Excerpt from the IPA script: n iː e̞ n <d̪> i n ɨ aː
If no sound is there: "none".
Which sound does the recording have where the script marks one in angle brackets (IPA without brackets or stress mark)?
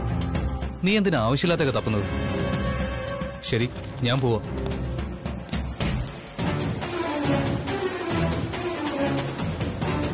d̪